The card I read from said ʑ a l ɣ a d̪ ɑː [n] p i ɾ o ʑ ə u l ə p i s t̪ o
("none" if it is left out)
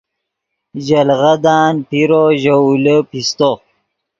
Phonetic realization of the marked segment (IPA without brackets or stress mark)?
n